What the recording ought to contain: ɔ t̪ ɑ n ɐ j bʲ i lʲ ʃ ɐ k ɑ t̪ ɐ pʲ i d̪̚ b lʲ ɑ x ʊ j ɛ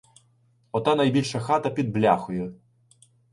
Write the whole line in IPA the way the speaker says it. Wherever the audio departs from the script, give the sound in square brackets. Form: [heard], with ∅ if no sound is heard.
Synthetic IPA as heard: ɔ t̪ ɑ n ɐ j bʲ i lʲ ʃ ɐ [x] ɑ t̪ ɐ pʲ i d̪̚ b lʲ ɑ x ʊ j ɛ